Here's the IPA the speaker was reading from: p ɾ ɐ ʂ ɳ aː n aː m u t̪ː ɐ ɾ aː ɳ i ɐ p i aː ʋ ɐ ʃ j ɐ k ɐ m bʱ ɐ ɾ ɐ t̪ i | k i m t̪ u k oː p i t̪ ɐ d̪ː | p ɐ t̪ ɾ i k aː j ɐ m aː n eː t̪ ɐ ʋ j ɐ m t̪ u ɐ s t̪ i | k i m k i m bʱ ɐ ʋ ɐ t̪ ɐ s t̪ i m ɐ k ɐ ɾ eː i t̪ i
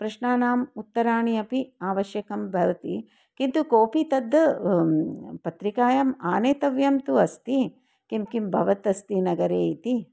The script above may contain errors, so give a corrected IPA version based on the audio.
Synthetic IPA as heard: p ɾ ɐ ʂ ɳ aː n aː m u t̪ː ɐ ɾ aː ɳ i ɐ p i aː ʋ ɐ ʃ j ɐ k ɐ m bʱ ɐ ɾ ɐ t̪ i | k i n t̪ u k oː p i t̪ ɐ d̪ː | p ɐ t̪ ɾ i k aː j ɐ m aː n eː t̪ ɐ ʋ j ɐ m t̪ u ɐ s t̪ i | k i m k i m bʱ ɐ ʋ ɐ t̪ ɐ s t̪ i n ɐ ɡ ɐ ɾ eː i t̪ i